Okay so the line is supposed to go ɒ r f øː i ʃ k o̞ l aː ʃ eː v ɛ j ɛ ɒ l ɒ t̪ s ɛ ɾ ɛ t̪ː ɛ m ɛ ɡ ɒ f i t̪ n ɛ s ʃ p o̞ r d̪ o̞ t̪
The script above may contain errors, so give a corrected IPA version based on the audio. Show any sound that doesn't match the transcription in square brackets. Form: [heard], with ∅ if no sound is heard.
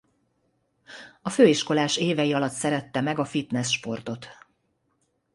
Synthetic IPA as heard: ɒ [∅] f øː i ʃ k o̞ l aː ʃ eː v ɛ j [i] ɒ l ɒ t̪ s ɛ ɾ ɛ t̪ː ɛ m ɛ ɡ ɒ f i t̪ n ɛ s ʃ p o̞ r [t̪] o̞ t̪